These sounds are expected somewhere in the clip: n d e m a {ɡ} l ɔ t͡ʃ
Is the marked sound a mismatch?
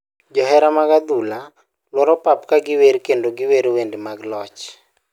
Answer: no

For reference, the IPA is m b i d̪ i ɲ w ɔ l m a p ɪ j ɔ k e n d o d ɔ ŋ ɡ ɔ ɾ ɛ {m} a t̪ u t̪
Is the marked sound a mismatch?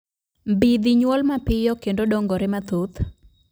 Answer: no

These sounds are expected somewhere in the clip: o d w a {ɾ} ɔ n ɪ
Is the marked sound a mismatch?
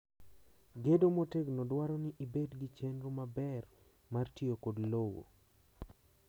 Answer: no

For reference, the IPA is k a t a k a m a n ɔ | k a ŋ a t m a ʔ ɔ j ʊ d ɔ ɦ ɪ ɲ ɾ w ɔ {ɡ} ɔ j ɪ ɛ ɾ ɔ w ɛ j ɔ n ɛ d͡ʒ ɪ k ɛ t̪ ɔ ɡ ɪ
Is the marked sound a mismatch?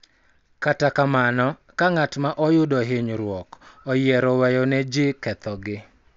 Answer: yes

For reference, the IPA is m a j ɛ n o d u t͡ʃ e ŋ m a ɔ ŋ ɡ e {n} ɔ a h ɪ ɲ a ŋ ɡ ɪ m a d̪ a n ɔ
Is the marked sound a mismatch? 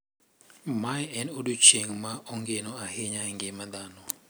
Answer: no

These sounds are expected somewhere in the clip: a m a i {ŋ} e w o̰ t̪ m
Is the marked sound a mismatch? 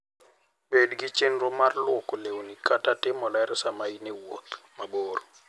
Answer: yes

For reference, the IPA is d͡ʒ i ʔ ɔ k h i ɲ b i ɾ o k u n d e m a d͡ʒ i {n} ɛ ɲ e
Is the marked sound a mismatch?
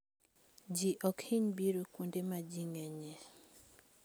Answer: yes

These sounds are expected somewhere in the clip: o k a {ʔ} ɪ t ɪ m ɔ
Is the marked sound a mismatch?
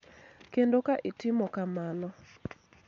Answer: no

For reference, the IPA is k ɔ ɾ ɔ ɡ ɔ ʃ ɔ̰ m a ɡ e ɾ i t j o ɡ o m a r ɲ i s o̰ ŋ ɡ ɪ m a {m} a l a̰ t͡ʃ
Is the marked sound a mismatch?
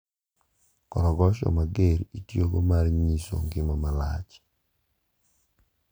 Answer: no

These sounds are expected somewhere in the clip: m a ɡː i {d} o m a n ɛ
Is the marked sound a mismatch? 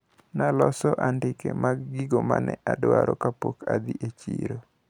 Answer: yes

